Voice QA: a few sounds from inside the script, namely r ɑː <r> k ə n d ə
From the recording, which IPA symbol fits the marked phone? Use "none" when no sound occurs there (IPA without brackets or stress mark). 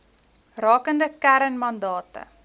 none